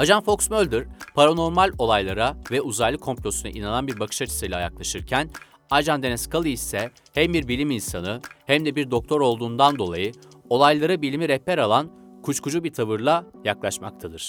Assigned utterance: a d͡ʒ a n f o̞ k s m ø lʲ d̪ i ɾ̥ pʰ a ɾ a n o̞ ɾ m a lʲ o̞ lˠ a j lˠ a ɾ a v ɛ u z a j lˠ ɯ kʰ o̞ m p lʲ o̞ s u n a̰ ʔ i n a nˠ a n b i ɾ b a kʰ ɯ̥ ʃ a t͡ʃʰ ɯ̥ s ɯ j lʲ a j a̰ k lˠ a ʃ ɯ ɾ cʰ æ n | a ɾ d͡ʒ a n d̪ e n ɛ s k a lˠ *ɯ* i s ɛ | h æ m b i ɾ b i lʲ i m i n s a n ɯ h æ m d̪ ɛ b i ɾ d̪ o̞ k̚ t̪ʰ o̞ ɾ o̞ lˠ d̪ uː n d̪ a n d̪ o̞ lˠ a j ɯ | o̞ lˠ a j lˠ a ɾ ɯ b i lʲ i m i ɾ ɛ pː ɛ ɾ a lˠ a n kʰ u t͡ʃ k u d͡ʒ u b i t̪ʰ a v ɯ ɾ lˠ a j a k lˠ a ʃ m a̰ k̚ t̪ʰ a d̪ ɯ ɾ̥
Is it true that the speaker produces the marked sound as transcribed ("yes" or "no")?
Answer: yes